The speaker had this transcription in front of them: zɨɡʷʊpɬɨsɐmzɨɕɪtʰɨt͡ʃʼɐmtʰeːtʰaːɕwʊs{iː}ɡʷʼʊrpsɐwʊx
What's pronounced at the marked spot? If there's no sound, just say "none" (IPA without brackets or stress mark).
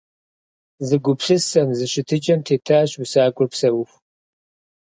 aː